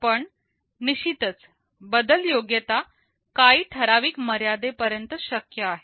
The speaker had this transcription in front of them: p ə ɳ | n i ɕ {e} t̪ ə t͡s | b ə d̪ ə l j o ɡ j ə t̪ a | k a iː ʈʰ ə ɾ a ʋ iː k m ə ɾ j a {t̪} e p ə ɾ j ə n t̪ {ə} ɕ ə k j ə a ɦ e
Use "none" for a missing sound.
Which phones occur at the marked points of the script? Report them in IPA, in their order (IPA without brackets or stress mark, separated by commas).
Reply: i, d̪, ə